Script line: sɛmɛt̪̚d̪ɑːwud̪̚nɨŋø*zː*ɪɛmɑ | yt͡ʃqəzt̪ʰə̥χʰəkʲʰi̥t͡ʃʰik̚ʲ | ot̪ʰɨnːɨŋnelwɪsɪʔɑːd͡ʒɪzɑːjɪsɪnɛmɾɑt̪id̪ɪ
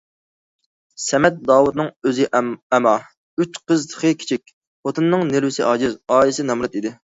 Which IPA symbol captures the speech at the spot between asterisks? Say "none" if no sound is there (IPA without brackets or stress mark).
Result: z